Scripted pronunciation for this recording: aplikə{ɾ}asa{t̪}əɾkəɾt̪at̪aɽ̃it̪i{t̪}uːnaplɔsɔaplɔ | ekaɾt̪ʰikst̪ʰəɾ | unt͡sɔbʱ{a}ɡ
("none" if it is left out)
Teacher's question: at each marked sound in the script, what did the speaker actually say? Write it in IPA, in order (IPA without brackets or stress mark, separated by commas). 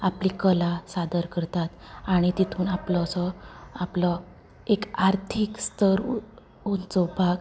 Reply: l, d̪, t̪ʰ, a